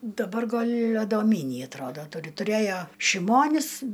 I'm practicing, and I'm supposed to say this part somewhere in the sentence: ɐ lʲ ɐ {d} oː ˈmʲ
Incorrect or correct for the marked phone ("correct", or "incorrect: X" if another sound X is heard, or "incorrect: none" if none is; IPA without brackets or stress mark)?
correct